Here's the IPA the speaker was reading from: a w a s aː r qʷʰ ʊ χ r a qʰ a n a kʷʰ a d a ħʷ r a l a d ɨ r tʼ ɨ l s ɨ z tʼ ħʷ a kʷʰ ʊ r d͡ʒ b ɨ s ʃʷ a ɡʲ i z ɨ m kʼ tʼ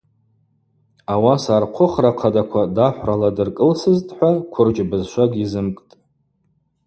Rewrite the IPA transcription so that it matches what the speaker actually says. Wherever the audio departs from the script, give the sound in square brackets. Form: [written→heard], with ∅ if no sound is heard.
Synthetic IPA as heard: a w a s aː r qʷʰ ʊ χ r a qʰ a [n→d] a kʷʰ a d a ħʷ r a l a d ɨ r [tʼ→kʼ] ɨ l s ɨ z tʼ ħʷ a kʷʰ ʊ r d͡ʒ b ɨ [s→z] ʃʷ a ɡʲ i z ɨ m kʼ tʼ